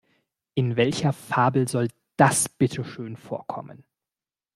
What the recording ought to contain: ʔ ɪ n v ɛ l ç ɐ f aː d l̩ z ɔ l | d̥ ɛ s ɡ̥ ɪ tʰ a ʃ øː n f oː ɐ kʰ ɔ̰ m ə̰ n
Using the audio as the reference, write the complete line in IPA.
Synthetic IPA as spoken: ʔ ɪ n v ɛ l ç ɐ f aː b l̩ z ɔ l | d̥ a s b̥ ɪ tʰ ə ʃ øː n f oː ɐ kʰ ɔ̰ m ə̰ n